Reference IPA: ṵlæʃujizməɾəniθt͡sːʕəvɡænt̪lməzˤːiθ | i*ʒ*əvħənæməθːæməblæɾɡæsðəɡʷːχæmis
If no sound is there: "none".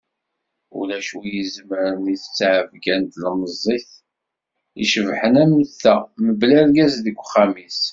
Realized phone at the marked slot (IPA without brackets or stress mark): ʃ